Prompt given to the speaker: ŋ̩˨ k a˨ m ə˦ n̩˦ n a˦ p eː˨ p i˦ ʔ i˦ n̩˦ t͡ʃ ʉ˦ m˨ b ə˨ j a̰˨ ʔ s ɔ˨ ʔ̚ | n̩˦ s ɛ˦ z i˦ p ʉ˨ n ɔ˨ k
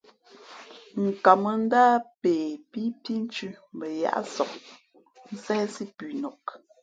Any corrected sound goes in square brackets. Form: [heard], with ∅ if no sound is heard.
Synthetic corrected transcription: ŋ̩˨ k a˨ m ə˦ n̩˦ [d] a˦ p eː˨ p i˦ [p] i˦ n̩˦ t͡ʃ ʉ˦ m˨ b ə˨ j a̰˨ ʔ s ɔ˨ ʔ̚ | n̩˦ s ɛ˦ [s] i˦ p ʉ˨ n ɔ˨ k